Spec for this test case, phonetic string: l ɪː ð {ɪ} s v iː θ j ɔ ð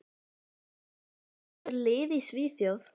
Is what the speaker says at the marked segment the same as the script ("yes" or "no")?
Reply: no